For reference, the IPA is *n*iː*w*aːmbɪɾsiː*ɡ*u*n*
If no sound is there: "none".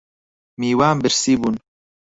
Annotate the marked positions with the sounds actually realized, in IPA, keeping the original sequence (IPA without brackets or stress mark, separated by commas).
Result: m, w, b, n